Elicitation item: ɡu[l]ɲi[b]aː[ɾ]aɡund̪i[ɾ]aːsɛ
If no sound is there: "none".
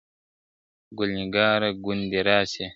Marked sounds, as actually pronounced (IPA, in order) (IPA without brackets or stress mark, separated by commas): l, ɡ, ɾ, ɾ